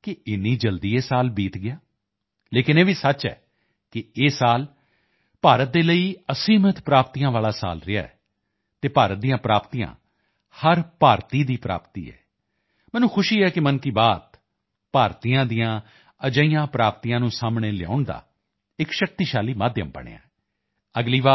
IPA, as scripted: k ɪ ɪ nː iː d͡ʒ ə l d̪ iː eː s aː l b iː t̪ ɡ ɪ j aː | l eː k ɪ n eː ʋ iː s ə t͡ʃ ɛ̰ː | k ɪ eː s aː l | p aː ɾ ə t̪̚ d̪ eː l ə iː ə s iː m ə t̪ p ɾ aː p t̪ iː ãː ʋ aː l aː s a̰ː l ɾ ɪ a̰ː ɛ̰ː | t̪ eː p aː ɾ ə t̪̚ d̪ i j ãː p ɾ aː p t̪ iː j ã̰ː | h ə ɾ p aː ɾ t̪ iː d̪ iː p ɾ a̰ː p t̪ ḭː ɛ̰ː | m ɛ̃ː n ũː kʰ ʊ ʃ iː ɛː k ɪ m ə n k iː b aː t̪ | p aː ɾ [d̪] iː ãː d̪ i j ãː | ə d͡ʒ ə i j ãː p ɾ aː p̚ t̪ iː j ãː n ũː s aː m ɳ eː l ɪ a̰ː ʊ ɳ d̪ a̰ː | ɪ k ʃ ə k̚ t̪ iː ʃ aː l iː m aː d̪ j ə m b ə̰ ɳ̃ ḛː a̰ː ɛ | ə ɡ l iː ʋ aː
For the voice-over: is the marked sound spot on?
no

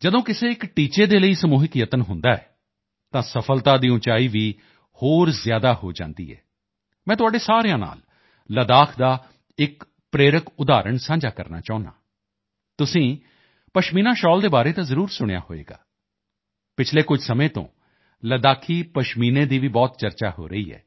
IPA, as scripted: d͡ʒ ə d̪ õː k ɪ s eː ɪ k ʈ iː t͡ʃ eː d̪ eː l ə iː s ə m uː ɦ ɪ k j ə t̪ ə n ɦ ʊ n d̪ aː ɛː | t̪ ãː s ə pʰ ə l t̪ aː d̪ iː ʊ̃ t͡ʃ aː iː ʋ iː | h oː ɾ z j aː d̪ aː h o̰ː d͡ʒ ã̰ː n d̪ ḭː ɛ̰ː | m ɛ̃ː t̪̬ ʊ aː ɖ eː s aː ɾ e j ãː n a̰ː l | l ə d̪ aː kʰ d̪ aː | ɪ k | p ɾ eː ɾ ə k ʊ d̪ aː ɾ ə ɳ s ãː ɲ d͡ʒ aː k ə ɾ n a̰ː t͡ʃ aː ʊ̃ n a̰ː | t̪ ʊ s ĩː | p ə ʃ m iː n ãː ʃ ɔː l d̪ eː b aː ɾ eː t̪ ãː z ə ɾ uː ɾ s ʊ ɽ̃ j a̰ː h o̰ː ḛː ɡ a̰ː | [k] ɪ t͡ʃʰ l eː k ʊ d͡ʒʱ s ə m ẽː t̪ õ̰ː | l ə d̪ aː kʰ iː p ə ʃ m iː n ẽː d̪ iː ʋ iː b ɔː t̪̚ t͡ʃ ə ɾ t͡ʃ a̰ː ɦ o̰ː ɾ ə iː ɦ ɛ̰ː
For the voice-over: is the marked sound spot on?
no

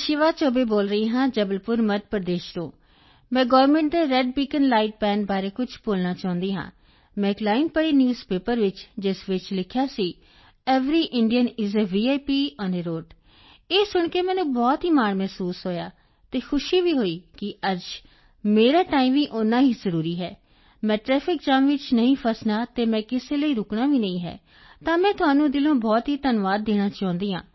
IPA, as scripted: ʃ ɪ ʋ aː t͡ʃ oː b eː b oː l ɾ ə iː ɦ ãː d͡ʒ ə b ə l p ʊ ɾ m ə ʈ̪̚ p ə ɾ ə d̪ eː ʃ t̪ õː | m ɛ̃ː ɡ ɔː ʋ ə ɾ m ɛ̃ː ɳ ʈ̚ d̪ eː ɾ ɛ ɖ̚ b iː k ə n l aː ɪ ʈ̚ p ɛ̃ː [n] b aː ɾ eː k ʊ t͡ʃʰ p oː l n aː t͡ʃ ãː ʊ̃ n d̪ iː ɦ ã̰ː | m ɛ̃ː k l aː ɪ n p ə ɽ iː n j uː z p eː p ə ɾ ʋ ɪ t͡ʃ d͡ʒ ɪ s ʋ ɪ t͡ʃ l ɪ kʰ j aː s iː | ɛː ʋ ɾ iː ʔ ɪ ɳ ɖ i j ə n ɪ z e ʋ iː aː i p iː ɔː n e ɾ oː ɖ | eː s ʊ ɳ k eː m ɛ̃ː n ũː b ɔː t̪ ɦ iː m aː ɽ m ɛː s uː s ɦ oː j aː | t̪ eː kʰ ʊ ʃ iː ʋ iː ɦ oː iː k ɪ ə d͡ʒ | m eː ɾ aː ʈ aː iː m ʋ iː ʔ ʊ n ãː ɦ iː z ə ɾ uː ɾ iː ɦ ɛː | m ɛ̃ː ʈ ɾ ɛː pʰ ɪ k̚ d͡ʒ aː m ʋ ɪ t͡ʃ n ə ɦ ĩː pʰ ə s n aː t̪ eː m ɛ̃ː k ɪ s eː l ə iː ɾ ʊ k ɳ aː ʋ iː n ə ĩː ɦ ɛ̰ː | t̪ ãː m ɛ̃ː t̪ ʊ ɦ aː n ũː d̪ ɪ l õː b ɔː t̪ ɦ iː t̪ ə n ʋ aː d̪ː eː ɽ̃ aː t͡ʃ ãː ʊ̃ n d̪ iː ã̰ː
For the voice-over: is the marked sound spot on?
yes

